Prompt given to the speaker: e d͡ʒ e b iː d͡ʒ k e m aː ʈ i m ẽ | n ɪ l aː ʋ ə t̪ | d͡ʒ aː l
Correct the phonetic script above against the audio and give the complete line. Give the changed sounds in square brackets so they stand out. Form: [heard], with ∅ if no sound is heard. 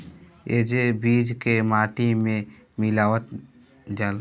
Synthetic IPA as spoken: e d͡ʒ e b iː d͡ʒ k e m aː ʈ i m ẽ | [m] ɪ l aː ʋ ə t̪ | d͡ʒ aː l